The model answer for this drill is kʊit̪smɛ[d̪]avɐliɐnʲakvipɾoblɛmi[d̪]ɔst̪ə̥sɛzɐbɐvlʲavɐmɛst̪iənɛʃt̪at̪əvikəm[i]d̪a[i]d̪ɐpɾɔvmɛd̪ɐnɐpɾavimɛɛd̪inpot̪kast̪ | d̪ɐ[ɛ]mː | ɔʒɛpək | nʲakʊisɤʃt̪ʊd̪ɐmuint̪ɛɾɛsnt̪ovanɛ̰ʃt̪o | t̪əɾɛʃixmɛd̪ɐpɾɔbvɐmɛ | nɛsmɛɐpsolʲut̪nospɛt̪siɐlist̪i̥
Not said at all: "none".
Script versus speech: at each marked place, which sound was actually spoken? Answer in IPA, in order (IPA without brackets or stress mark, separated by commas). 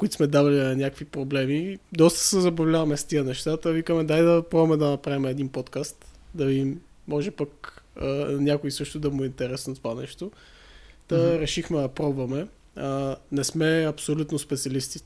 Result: d̪, d̪, ɛ, j, i